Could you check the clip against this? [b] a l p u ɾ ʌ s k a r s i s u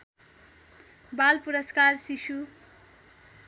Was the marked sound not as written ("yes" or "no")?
no